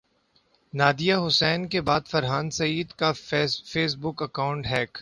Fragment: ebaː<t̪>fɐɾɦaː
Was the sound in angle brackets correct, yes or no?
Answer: no